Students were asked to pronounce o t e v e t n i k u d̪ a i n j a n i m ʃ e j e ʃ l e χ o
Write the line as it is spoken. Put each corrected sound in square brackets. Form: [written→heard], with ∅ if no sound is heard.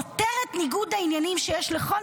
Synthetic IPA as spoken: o t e [v→ʁ] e t n i [k→ɡ] u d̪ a i n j a n i m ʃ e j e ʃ l e χ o